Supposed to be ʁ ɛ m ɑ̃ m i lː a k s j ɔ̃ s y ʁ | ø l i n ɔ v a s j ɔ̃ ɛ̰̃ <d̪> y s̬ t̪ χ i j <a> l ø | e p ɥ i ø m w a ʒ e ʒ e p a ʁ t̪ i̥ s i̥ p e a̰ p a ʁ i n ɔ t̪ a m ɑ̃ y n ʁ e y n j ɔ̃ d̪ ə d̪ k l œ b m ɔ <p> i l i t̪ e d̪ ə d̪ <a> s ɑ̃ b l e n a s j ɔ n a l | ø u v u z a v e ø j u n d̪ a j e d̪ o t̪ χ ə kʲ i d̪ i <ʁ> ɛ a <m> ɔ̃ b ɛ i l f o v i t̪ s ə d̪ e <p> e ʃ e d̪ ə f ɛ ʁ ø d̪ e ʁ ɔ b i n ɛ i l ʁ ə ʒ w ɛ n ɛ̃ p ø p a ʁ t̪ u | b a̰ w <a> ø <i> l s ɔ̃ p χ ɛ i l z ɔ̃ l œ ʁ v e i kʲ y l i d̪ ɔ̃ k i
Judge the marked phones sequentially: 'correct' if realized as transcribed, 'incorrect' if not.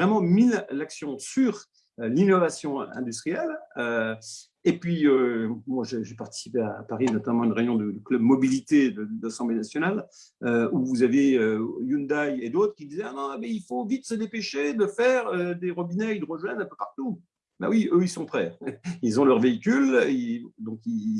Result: correct, incorrect, incorrect, correct, incorrect, incorrect, correct, incorrect, correct

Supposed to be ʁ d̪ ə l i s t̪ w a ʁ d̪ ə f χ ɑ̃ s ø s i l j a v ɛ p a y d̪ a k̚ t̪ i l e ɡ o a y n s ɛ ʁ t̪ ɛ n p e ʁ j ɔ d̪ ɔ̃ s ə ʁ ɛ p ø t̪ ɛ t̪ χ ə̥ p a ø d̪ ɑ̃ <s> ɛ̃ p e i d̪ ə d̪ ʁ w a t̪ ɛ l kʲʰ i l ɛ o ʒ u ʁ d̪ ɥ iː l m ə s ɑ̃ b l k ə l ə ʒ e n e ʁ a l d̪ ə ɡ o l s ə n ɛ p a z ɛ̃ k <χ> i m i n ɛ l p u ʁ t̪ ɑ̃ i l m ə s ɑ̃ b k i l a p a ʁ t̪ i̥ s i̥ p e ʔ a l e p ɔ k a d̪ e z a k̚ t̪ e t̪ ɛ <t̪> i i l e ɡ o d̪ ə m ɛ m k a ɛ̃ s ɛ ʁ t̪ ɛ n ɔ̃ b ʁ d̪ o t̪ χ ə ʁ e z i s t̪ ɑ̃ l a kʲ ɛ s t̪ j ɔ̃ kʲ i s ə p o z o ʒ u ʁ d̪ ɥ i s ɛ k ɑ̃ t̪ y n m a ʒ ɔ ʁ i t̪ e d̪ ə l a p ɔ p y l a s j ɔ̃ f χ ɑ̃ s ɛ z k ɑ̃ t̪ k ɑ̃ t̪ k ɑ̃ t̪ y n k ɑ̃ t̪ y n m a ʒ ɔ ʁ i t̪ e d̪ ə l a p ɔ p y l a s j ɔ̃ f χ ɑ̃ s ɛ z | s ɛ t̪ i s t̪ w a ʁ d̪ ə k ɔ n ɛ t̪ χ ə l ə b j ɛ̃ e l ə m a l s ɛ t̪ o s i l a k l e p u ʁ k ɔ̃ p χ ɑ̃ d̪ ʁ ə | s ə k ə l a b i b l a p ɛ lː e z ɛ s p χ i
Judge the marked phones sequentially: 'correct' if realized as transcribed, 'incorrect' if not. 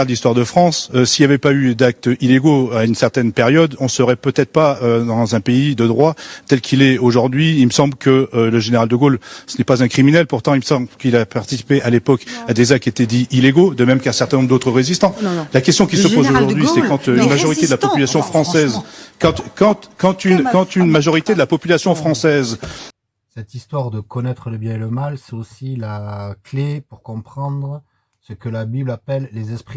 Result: incorrect, correct, incorrect

